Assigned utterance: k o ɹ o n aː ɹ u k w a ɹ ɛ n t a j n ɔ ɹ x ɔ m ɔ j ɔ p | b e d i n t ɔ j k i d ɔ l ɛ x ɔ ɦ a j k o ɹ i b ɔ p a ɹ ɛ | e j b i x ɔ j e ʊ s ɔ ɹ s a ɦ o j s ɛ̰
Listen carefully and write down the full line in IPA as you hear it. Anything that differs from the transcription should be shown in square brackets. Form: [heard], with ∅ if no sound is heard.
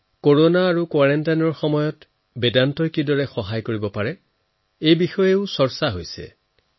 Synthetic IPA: k o ɹ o n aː ɹ u k w a ɹ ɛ n t a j n ɔ ɹ x ɔ m ɔ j ɔ [t] | b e d [a] n t ɔ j k i d ɔ [ɹ] ɛ x ɔ ɦ a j k o ɹ i b ɔ p a ɹ ɛ | e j b i x ɔ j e ʊ s ɔ ɹ s a ɦ o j s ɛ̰